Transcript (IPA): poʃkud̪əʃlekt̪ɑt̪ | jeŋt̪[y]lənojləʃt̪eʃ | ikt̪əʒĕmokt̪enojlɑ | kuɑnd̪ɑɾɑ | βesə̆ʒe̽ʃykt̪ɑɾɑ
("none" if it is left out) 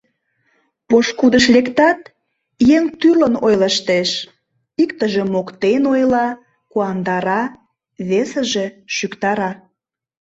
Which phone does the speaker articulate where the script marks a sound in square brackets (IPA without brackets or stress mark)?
y